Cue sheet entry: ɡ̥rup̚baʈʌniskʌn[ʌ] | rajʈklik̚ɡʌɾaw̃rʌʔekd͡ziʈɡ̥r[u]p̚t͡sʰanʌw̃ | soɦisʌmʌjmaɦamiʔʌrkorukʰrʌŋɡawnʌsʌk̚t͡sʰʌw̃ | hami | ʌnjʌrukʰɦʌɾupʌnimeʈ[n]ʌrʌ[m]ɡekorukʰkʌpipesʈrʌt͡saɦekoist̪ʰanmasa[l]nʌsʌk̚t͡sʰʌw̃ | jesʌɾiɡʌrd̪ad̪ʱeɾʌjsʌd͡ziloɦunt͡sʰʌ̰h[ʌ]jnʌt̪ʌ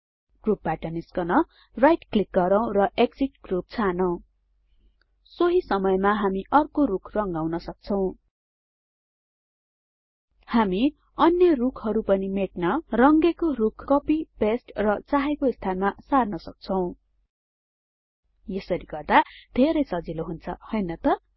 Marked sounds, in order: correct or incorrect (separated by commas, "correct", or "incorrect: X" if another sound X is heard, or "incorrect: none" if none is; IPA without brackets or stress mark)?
correct, correct, correct, incorrect: ŋ, incorrect: r, correct